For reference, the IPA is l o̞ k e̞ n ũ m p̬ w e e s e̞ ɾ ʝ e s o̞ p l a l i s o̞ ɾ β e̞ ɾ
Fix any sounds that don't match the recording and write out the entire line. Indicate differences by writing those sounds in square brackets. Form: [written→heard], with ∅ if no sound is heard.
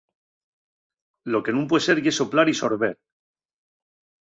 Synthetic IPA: l o̞ k e̞ n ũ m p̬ w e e s e̞ ɾ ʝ e s o̞ p l a [l→ɾ] i s o̞ ɾ β e̞ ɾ